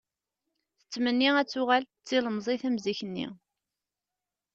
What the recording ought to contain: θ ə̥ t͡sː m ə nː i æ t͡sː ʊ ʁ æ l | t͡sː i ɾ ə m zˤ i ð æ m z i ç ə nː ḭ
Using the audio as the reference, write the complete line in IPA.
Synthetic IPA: θ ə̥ t͡sː m ə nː i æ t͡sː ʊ ʁ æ l | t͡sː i l ə m zˤ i θ æ m z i ç ə nː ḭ